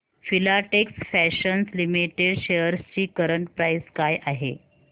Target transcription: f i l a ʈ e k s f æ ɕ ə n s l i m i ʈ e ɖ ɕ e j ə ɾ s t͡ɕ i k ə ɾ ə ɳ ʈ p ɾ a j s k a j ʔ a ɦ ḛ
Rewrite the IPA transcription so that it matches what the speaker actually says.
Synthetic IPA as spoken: f i l a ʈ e k s f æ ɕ ə n s l i m i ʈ e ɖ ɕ e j ə ɾ s t͡ɕ iː k ə ɾ ə ɳ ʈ p ɾ a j s k a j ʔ a ɦ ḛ